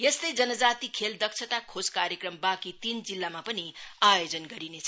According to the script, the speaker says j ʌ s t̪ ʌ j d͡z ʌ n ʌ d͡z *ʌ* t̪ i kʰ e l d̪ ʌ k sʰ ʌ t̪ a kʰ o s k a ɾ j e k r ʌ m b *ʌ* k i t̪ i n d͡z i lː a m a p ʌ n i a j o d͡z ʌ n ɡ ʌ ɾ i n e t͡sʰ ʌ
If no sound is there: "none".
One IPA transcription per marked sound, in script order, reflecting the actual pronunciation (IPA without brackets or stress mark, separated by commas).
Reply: a, a